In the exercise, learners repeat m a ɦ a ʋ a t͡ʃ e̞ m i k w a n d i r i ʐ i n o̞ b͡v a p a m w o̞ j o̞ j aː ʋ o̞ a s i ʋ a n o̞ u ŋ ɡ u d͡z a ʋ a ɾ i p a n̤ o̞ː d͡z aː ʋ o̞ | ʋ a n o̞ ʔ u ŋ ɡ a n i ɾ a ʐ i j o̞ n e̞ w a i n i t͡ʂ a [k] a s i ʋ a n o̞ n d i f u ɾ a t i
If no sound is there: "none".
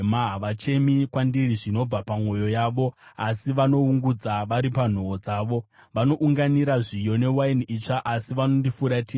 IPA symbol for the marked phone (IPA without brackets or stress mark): ʔ